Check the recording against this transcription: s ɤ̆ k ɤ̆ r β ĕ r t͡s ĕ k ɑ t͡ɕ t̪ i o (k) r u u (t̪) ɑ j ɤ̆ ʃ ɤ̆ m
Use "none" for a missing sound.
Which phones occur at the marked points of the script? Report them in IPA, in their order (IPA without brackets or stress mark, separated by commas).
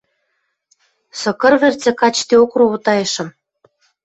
k, t̪